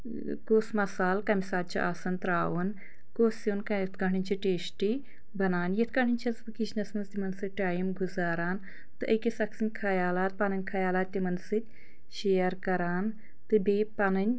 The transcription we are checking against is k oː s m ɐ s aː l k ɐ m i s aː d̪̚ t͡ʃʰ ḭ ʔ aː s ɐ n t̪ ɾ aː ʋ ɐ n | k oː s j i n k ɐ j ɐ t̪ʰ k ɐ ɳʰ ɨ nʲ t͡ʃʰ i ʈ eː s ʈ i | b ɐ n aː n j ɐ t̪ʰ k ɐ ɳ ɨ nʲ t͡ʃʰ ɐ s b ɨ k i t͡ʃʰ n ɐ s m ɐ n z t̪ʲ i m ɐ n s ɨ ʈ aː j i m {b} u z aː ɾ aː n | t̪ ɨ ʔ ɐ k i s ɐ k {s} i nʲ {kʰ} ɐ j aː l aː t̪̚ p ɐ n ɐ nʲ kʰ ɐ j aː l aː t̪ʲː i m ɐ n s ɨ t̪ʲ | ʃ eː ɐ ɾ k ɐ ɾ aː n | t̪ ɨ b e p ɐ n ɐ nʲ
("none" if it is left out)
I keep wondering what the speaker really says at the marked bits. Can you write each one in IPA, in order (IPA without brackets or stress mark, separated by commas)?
ɡ, s, kʰ